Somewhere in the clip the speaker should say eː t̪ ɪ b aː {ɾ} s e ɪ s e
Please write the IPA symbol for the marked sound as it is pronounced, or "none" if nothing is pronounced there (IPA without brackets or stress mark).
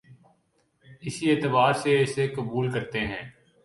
ɾ